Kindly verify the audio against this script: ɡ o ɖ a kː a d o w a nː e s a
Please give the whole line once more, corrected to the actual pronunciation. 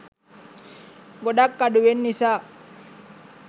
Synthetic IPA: ɡ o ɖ a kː a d u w e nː i s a